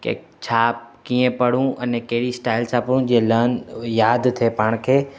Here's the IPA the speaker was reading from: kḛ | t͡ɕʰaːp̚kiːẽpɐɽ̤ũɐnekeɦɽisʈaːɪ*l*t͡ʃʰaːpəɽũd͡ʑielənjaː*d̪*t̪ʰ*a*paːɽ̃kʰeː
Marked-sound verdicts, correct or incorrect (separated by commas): correct, correct, incorrect